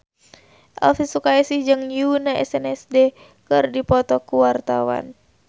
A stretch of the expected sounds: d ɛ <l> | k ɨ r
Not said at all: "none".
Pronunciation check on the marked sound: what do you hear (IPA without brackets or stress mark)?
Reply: none